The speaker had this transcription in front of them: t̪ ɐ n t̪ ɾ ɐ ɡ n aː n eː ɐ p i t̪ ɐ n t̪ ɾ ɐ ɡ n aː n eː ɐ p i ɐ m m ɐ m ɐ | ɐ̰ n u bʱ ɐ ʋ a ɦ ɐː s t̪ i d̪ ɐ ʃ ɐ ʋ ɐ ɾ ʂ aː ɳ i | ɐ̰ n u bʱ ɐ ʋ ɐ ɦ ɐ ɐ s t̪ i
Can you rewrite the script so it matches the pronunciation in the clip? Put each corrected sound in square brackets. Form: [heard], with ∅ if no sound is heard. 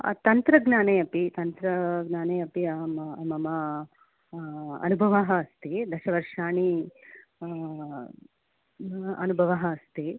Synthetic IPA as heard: t̪ ɐ n t̪ ɾ ɐ ɡ n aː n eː ɐ p i t̪ ɐ n t̪ ɾ ɐ ɡ n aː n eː ɐ p i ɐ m m ɐ m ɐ | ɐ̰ n u bʱ ɐ ʋ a ɦ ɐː s t̪ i d̪ ɐ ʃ ɐ ʋ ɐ ɾ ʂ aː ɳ i | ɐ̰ n u bʱ ɐ ʋ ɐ ɦ ɐ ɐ s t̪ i